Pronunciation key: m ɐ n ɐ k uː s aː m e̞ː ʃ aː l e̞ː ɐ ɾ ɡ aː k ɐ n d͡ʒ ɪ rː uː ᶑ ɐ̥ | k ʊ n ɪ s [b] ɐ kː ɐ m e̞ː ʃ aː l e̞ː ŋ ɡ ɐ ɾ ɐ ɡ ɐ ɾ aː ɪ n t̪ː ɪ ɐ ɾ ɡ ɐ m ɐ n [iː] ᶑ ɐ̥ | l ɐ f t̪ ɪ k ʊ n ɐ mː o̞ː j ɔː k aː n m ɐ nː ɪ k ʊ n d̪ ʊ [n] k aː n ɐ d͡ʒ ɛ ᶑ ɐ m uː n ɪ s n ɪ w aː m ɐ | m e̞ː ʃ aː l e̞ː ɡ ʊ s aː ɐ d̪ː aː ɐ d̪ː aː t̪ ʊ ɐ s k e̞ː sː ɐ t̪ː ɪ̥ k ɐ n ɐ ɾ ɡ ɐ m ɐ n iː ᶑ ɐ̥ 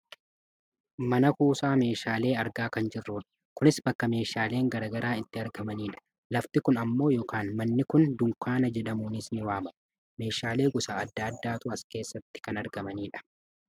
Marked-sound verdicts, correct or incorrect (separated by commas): correct, correct, incorrect